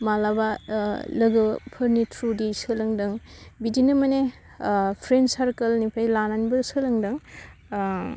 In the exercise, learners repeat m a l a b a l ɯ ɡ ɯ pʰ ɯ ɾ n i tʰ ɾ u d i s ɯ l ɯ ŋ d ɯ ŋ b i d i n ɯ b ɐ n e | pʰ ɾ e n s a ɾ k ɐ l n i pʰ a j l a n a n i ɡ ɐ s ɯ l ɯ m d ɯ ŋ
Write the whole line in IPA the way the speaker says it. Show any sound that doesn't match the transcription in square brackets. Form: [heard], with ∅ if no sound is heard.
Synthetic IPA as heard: m a l a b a l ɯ ɡ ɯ pʰ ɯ ɾ n i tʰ ɾ u d i s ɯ l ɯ ŋ d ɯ ŋ b i d i n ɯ [m] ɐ n e | pʰ ɾ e n s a ɾ k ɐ l n i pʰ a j l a n a n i [b] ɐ s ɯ l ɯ [ŋ] d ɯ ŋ